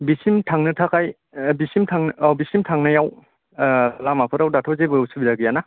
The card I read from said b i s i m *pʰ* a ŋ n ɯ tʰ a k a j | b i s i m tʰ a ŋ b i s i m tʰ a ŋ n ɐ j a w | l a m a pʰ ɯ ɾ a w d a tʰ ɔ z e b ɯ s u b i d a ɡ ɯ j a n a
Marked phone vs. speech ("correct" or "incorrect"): incorrect